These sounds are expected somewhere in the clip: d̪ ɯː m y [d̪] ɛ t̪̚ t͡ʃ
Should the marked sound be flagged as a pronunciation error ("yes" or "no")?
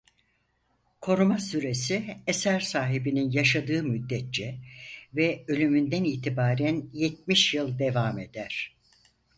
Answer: yes